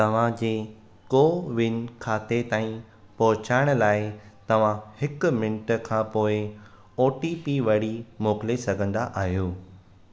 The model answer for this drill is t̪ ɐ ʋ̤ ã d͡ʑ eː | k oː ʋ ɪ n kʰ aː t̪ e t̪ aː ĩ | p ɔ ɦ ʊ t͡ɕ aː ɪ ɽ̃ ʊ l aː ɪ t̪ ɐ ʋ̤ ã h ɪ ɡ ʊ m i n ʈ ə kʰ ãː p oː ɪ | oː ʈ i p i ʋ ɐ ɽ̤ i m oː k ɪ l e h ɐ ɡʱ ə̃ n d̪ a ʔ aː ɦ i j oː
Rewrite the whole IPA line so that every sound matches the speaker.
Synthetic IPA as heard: t̪ ɐ ʋ̤ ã d͡ʑ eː | k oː ʋ ɪ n kʰ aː t̪ e t̪ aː ĩ | p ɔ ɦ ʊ t͡ɕ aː ɪ ɽ̃ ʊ l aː ɪ t̪ ɐ ʋ̤ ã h ɪ k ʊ m ɪ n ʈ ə kʰ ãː p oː ɪ | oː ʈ i p i ʋ ɐ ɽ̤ i m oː k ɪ l e s ɐ ɡʱ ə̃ n d̪ a ʔ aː ɦ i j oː